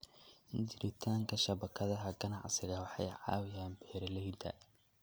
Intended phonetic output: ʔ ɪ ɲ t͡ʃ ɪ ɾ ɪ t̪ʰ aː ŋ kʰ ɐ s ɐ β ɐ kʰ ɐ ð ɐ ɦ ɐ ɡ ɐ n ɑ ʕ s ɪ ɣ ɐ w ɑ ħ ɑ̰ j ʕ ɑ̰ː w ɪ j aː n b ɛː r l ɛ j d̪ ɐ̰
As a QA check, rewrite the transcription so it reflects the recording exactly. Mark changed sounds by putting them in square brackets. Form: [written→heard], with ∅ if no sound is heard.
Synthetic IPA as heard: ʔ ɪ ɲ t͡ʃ ɪ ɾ ɪ t̪ʰ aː ŋ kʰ ɐ [s→ʃ] ɐ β ɐ kʰ ɐ ð ɐ ɦ ɐ ɡ ɐ n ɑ ʕ s ɪ ɣ ɐ w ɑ ħ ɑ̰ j ʕ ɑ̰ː w ɪ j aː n b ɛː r l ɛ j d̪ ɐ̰